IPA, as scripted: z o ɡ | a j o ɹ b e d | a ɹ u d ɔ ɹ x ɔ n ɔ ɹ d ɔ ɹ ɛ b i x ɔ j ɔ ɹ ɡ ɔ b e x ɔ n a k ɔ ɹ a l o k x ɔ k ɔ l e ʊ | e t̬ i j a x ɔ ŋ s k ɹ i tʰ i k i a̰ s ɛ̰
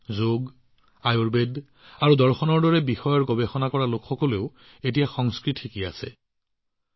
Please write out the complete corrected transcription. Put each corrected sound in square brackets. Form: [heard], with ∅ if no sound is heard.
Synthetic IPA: z o ɡ | a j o ɹ b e d | a ɹ u d ɔ ɹ x ɔ n ɔ ɹ d ɔ ɹ ɛ b i x ɔ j ɔ ɹ ɡ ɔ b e x ɔ n a k ɔ ɹ a l o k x ɔ k ɔ l e ʊ | e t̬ i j a x ɔ ŋ s k ɹ i tʰ i k i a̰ s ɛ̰

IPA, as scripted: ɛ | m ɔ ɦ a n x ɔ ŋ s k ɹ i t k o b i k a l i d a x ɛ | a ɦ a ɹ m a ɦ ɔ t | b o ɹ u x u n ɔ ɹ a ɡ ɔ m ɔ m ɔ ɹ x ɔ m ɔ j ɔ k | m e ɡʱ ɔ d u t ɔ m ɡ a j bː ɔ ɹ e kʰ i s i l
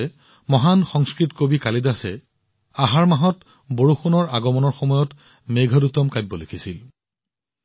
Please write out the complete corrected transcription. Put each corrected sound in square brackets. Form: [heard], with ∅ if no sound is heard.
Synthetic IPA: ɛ | m ɔ ɦ a n x ɔ ŋ s k ɹ i t k o b i k a l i d a [s] ɛ | a ɦ a ɹ m a ɦ ɔ t | b o ɹ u x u n ɔ ɹ a ɡ ɔ m ɔ [n] ɔ ɹ x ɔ m ɔ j ɔ [t] | m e ɡʱ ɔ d u t ɔ m [k] a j bː ɔ [l] e kʰ i s i l

